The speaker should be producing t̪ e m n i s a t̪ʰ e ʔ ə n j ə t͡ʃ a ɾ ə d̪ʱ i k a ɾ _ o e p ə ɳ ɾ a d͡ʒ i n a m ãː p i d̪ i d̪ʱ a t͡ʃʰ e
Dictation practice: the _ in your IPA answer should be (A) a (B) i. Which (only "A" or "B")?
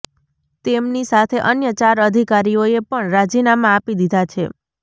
B